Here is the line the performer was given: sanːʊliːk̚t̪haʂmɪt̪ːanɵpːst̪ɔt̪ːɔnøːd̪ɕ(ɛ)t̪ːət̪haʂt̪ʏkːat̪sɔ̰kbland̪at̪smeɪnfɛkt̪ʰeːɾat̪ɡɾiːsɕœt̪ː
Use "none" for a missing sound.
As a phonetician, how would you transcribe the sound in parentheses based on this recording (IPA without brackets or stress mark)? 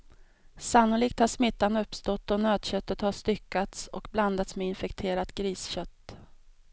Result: œ